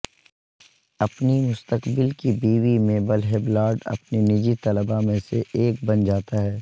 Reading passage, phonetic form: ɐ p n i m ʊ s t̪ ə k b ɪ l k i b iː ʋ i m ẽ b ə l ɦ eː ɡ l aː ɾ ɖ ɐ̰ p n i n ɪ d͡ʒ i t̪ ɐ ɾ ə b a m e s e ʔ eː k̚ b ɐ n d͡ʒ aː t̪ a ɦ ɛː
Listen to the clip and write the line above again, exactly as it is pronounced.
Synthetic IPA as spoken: ɐ p n i m ʊ s t̪ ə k b ɪ l k i b iː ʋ i m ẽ b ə l ɦ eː b l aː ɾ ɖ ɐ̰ p n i n ɪ d͡ʒ i t̪ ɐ l ə b a m ẽ s e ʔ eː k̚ b ɐ n d͡ʒ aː t̪ a ɦ ɛː